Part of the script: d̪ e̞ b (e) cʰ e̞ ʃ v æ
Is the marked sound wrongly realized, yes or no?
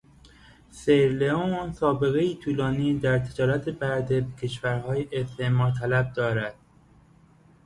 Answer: no